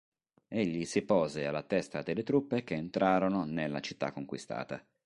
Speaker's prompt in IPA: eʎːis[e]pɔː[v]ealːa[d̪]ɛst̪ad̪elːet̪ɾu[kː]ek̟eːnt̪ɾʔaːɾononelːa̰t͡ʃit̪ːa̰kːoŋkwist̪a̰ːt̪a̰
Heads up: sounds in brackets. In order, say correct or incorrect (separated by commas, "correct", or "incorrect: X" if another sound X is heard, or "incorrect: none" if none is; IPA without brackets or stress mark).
incorrect: i, incorrect: z, incorrect: t̪, incorrect: pː